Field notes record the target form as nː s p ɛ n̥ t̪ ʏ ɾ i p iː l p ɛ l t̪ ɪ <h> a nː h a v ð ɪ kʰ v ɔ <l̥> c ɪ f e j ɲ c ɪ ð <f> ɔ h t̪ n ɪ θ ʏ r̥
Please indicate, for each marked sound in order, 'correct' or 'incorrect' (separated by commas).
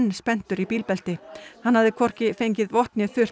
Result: correct, incorrect, incorrect